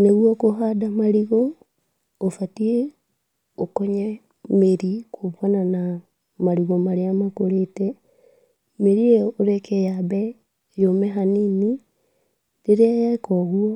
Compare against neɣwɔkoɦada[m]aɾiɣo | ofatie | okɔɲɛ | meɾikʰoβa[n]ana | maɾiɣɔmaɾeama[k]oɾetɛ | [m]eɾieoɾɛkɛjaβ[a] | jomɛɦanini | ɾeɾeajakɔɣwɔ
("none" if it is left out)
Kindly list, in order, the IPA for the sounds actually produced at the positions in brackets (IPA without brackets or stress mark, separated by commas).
m, n, k, m, ɛ